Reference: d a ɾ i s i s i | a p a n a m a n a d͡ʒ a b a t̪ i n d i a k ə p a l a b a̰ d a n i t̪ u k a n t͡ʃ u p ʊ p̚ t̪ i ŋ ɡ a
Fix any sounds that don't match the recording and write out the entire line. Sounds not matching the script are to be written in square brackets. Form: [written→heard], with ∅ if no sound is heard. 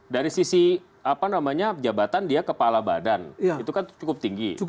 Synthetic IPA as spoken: d a ɾ i s i s i | a p a n a m a [n→ɲ] a d͡ʒ a b a t̪ [i→a] n d i a k ə p a l a b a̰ d a n i t̪ u k a n t͡ʃ u [p→k] ʊ p̚ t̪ i ŋ ɡ [a→i]